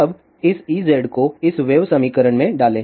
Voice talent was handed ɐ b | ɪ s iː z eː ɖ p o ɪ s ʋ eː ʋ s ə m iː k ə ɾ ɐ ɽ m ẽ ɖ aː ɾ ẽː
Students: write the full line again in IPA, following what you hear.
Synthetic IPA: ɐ b | ɪ s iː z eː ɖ k o ɪ s ʋ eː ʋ s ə m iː k ə ɾ ə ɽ m ẽ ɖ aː l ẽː